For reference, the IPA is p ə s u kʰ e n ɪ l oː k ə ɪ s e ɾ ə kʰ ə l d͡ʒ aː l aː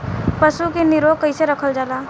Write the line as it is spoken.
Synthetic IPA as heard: p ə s u k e n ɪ ɾ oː k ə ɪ s e ɾ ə kʰ ə l d͡ʒ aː l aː

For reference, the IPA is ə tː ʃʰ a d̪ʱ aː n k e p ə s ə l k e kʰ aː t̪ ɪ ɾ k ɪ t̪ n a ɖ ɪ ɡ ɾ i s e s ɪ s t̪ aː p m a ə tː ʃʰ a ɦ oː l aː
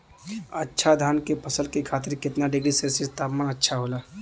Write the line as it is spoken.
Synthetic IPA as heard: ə tː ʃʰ a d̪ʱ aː n k e p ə s ə l k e kʰ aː t̪ ɪ ɾ k ɪ t̪ n a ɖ ɪ ɡ ɾ i s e s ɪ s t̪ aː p m a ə tː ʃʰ a ɦ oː l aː

